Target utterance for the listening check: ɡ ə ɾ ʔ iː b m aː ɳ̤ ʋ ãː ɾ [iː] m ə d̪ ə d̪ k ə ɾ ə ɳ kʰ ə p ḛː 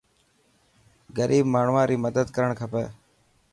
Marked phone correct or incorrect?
correct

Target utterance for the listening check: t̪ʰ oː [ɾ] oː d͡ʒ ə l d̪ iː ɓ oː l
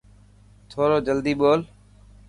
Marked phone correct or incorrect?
correct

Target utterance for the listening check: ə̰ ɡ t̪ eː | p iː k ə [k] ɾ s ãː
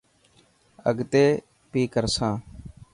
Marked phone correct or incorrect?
incorrect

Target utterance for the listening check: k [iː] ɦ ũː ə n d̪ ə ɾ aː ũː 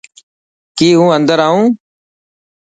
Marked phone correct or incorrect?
correct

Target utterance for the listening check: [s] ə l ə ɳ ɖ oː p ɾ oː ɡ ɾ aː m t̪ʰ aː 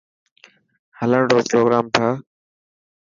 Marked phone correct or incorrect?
incorrect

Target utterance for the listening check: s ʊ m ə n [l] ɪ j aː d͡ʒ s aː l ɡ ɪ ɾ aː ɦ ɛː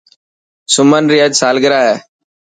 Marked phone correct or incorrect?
incorrect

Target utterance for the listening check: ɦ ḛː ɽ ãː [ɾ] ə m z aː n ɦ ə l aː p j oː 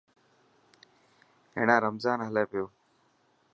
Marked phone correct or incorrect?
correct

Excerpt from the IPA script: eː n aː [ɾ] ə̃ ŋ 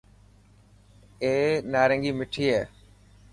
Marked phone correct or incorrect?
correct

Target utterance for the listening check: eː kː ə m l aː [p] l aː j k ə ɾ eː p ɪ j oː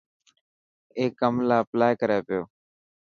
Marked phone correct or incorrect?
correct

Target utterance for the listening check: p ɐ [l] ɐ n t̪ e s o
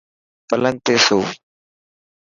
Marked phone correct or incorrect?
correct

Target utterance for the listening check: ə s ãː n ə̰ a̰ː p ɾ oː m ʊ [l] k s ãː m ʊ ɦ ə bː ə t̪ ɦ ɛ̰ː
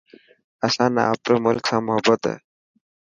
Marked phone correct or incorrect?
correct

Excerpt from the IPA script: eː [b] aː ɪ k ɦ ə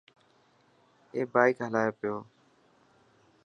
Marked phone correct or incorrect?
correct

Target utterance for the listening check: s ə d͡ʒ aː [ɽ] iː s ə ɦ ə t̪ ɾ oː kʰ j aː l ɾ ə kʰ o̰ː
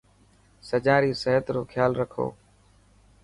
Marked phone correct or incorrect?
incorrect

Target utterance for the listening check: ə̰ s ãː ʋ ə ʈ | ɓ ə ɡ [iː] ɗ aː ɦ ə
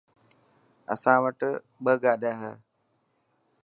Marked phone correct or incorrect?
incorrect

